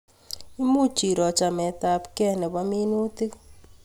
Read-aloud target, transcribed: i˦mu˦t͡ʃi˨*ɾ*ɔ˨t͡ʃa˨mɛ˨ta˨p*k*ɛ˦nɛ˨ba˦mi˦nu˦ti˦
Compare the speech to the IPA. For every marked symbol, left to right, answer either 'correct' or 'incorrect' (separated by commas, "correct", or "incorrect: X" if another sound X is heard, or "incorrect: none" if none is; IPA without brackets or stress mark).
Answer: correct, correct